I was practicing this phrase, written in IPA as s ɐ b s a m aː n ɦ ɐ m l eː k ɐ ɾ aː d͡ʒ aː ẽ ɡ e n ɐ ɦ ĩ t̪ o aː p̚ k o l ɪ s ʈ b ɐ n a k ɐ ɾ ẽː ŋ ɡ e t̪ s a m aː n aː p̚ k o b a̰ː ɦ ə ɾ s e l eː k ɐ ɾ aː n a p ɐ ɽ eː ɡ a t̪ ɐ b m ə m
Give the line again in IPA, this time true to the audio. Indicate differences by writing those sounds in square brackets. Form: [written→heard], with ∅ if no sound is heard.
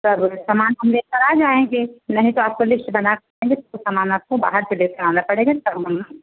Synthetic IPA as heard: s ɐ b s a m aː n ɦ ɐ m l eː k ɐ ɾ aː d͡ʒ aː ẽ ɡ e n ɐ ɦ ĩ t̪ o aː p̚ k o l ɪ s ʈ b ɐ n a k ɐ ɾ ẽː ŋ ɡ e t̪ s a m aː n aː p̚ k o b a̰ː ɦ ə ɾ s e l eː k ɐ ɾ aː n a p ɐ ɽ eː ɡ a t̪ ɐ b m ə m